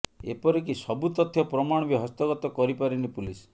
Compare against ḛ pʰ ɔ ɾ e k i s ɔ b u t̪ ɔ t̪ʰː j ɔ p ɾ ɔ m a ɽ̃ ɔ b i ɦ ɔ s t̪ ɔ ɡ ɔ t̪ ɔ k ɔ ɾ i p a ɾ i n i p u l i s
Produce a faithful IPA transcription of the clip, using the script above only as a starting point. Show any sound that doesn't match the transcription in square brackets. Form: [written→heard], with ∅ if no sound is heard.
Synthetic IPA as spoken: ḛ [pʰ→p] ɔ ɾ e k i s ɔ b u t̪ ɔ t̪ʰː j ɔ p ɾ ɔ m a ɽ̃ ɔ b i ɦ ɔ s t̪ ɔ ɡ ɔ t̪ ɔ k ɔ ɾ i p a ɾ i n i p u l i s